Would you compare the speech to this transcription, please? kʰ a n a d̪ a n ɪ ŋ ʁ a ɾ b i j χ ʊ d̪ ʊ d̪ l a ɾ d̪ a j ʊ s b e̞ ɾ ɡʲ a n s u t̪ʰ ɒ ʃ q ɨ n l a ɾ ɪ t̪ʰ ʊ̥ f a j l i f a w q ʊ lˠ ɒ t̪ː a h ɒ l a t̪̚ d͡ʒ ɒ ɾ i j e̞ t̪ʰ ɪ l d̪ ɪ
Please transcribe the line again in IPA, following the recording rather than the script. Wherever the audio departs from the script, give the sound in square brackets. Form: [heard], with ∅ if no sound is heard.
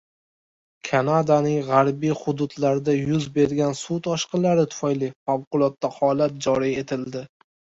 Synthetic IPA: kʰ a n a d̪ a n ɪ ŋ ʁ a ɾ b i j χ ʊ d̪ ʊ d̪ l a ɾ d̪ a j ʊ [z] b e̞ ɾ ɡʲ a n s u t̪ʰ ɒ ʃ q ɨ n l a ɾ ɪ t̪ʰ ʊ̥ f a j l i f a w q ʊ lˠ ɒ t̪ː a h ɒ l a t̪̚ d͡ʒ ɒ ɾ i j e̞ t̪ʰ ɪ l d̪ ɪ